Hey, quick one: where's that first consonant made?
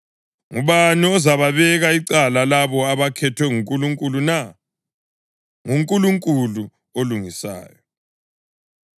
velum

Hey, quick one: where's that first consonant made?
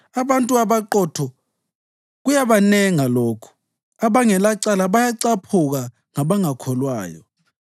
lips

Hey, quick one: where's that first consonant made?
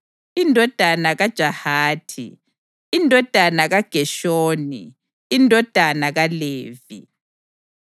tongue tip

